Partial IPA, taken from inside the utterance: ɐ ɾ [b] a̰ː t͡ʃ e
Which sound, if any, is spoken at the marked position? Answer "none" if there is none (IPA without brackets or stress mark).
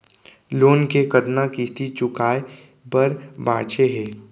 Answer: b